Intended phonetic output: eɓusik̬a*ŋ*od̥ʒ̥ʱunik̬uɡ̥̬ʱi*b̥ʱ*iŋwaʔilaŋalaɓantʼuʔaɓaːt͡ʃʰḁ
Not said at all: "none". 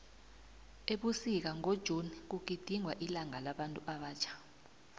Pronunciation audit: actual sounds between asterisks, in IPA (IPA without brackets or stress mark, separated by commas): ŋ, d̥ʱ